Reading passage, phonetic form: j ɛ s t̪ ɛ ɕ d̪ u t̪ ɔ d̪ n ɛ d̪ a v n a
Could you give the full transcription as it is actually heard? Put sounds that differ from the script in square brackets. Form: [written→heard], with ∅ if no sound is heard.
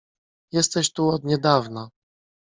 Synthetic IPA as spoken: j ɛ s t̪ ɛ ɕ [d̪→t̪] u [t̪→∅] ɔ d̪ [n→ɲ] ɛ d̪ a v n a